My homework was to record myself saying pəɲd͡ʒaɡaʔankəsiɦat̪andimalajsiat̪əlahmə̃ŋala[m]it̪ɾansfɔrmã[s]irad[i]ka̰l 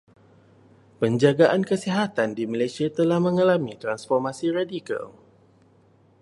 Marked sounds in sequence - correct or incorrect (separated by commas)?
correct, correct, correct